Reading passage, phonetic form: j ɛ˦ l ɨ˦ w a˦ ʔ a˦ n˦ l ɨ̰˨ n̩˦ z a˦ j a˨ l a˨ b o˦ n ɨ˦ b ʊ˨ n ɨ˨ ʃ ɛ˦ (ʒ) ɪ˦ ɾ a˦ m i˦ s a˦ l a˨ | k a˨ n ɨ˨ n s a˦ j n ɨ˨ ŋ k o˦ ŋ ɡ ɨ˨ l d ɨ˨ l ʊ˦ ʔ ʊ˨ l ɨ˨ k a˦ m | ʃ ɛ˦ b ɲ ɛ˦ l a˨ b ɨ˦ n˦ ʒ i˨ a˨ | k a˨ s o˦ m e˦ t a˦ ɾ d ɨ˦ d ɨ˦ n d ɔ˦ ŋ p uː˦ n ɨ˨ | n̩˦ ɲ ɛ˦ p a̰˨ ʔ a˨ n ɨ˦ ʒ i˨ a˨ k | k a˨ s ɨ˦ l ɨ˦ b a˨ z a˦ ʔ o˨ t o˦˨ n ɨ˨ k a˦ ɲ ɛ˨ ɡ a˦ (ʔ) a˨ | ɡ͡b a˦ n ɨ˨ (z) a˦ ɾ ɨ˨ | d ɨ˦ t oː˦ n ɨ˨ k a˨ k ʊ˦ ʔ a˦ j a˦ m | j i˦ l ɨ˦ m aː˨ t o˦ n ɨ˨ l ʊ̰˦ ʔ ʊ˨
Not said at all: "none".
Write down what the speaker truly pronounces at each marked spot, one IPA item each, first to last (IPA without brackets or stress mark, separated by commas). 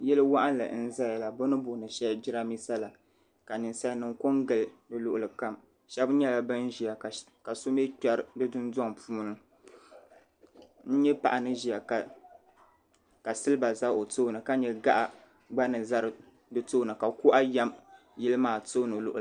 d͡ʒ, ʔ, z